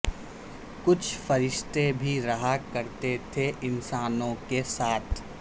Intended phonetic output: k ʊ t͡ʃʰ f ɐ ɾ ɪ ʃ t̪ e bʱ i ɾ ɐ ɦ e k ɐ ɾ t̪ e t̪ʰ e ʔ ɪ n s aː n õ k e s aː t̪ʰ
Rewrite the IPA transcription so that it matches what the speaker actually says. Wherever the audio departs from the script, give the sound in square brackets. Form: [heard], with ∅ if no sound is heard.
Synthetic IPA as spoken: k ʊ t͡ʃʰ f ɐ ɾ ɪ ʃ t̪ e bʱ i ɾ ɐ ɦ [a] k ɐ ɾ t̪ e t̪ʰ e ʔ ɪ n s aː n õ k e s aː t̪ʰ